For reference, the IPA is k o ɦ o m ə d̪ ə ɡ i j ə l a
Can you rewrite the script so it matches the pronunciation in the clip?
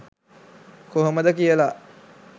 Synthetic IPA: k o ɦ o m ə d̪ ə k i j ə l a